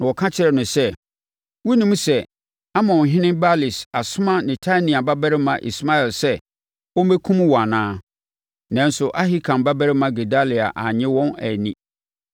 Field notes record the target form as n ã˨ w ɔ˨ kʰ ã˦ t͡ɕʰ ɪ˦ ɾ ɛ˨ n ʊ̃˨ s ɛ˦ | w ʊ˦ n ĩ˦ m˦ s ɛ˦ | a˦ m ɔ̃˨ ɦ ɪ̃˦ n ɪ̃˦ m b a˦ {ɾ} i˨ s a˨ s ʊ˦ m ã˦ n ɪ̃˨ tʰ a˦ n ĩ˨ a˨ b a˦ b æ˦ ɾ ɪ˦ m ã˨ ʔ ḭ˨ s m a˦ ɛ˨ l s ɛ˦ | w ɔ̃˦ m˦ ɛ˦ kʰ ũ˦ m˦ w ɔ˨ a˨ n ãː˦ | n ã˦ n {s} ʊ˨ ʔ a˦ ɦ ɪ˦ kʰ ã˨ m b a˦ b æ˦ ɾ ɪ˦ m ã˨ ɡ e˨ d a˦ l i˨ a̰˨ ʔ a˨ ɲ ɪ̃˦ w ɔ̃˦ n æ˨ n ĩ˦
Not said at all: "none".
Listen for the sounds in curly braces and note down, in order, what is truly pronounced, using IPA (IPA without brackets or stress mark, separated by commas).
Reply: l, s